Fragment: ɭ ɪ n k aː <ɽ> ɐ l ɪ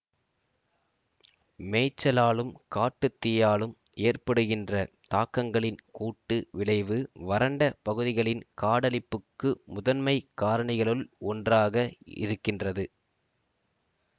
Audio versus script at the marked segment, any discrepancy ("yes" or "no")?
no